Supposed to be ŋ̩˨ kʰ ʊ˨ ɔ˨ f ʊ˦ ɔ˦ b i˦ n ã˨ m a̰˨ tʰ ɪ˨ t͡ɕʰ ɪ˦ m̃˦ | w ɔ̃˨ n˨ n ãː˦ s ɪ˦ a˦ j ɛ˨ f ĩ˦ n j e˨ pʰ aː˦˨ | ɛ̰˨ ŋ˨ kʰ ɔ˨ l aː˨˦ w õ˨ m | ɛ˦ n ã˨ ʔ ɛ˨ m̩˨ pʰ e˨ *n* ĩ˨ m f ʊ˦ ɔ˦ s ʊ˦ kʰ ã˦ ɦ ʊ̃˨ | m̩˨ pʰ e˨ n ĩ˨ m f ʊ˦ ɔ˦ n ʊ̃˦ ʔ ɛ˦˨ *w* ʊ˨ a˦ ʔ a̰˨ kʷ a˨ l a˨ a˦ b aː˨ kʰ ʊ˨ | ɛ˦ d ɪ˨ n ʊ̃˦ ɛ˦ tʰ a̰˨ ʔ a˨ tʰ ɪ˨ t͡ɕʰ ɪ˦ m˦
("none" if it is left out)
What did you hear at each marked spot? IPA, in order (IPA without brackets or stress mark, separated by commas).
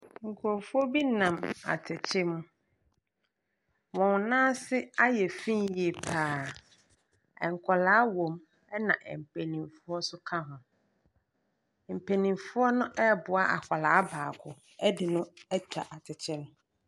n, b